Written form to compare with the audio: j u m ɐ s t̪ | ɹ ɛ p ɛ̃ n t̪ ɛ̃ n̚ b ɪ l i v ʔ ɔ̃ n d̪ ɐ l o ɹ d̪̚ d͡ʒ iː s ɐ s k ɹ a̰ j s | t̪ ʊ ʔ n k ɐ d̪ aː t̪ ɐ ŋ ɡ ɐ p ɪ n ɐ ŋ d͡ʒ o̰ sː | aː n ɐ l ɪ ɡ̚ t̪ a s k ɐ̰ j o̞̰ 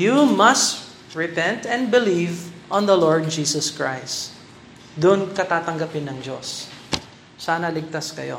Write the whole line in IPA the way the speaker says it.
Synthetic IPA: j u m ɐ s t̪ | ɹ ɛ p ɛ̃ n t̪ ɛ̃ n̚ b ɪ l i v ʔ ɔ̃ n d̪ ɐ l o ɹ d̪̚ d͡ʒ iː s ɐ s k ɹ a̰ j s | d̪ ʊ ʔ n k ɐ t̪ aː t̪ ɐ ŋ ɡ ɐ p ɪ n ɐ ŋ d͡ʒ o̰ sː | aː n ɐ l ɪ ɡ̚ t̪ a s k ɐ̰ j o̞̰